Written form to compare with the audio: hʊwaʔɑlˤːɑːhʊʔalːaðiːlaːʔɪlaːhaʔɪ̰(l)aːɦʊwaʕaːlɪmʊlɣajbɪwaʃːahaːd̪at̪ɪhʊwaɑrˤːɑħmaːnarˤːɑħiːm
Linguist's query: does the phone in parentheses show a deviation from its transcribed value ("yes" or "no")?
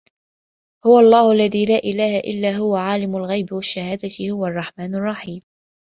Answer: yes